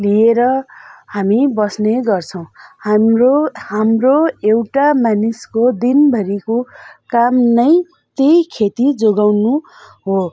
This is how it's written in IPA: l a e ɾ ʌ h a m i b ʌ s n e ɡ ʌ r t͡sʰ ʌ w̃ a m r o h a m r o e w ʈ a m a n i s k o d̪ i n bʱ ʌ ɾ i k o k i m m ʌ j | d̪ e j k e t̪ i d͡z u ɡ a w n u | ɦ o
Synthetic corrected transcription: l i e ɾ ʌ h a m i b ʌ s n e ɡ ʌ r t͡sʰ ʌ w̃ a m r o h a m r o e w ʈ a m a n i s k o d̪ i n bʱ ʌ ɾ i k o k a m n ʌ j | t̪ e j kʰ e t̪ i d͡z o ɡ a w n u | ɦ o